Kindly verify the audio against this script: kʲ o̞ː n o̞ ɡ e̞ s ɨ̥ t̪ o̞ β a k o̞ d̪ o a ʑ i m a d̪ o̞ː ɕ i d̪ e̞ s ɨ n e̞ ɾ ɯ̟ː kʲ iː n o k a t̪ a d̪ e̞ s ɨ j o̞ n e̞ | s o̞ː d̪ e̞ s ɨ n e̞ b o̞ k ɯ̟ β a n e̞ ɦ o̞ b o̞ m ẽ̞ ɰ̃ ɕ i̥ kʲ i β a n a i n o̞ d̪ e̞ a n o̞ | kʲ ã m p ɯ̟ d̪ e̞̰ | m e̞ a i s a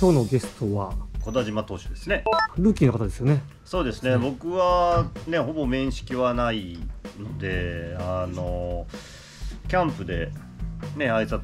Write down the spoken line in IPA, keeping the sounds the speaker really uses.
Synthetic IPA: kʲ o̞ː n o̞ ɡ e̞ s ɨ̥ t̪ o̞ β a k o̞ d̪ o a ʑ i m a t̪ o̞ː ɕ i d̪ e̞ s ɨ n e̞ ɾ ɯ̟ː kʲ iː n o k a t̪ a d̪ e̞ s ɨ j o̞ n e̞ | s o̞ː d̪ e̞ s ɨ n e̞ b o̞ k ɯ̟ β a n e̞ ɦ o̞ b o̞ m ẽ̞ ɰ̃ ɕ i̥ kʲ i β a n a i n o̞ d̪ e̞ a n o̞ | kʲ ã m p ɯ̟ d̪ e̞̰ | n e̞ a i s a